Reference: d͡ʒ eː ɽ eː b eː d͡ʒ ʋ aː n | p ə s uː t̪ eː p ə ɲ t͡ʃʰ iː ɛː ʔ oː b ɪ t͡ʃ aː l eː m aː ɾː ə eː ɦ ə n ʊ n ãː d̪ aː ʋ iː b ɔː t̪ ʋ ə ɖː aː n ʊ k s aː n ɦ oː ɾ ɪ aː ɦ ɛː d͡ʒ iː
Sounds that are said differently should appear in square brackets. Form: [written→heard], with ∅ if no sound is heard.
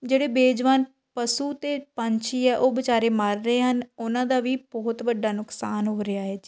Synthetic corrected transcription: d͡ʒ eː ɽ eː b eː d͡ʒ ʋ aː n | p ə s uː t̪ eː p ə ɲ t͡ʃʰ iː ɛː ʔ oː b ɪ t͡ʃ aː [l→ɾ] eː m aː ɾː ə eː ɦ ə n ʊ n ãː d̪ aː ʋ iː b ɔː t̪ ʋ ə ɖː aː n ʊ k s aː n ɦ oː ɾ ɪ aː ɦ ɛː d͡ʒ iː